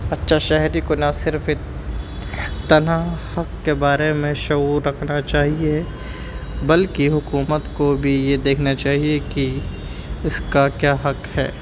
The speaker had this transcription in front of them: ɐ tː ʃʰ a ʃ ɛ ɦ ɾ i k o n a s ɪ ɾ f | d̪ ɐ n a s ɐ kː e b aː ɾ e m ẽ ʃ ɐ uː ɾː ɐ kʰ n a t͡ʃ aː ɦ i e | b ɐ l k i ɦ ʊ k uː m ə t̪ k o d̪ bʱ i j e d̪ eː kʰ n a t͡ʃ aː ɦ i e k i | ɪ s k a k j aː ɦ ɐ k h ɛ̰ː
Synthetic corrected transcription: ɐ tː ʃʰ a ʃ ɛ ɦ ɾ i k o n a s ɪ ɾ f | t̪ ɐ n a h ɐ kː e b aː ɾ e m ẽ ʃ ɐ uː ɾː ɐ kʰ n a t͡ʃ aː ɦ i e | b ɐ l k i ɦ ʊ k uː m ə t̪ k o bʱ i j e d̪ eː kʰ n a t͡ʃ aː ɦ i e k i | ɪ s k a k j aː ɦ ɐ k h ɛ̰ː